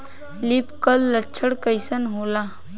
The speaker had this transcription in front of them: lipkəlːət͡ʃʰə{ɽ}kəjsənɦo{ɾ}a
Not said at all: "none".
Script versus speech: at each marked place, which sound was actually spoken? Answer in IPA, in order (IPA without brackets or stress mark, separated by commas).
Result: ɽ, l